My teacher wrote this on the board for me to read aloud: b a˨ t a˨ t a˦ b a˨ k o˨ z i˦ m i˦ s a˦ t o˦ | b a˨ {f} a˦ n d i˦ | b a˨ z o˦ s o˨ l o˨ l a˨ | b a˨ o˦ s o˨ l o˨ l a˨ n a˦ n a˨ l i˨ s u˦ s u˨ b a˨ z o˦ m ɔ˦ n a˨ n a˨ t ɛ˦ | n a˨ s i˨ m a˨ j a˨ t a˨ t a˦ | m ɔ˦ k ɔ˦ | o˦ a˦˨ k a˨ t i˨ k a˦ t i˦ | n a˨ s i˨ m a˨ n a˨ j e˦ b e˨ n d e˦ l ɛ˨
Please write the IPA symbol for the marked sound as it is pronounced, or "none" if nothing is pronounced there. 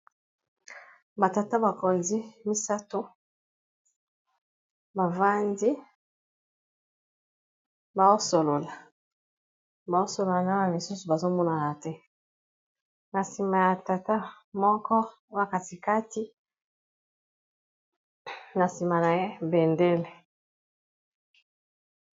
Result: v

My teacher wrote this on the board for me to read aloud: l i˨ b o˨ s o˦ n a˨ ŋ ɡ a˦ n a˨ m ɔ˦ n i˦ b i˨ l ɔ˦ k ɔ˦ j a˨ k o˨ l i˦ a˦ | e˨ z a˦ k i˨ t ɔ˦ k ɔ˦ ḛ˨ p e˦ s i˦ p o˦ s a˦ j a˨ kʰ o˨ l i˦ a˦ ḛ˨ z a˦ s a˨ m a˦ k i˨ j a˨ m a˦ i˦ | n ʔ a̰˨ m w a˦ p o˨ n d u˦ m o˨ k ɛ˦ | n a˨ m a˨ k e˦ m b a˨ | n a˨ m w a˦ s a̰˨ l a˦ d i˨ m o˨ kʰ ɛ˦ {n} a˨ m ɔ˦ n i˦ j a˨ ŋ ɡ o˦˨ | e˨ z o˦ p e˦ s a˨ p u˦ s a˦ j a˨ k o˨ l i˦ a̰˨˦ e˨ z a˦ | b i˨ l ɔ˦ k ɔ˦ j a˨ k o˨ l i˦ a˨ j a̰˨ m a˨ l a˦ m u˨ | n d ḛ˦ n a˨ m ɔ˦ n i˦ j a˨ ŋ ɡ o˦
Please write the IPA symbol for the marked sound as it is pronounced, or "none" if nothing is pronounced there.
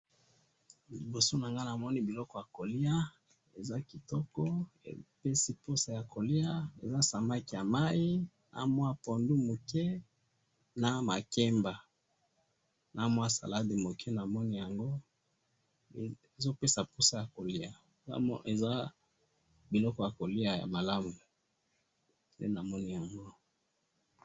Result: n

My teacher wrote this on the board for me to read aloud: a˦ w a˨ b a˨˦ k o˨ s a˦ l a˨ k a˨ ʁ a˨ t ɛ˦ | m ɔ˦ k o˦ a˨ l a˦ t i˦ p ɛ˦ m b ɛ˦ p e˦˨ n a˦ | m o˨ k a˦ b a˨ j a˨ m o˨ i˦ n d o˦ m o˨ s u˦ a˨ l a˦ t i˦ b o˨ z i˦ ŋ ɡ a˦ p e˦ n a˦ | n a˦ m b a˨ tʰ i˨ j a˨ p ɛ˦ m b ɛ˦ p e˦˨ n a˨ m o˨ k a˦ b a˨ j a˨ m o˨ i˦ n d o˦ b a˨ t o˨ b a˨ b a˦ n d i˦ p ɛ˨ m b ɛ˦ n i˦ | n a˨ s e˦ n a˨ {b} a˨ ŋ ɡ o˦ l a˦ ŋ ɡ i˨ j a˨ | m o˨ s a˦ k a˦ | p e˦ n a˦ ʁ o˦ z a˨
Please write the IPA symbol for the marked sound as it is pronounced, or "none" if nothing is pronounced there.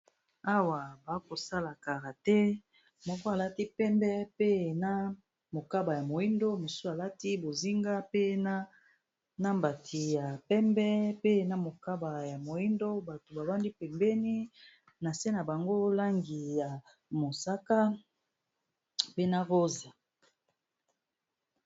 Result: b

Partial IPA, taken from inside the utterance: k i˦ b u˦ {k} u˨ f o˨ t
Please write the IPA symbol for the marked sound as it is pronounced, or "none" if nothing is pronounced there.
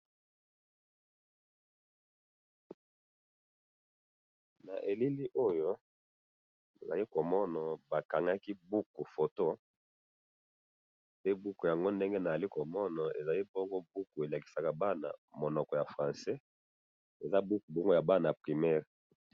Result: k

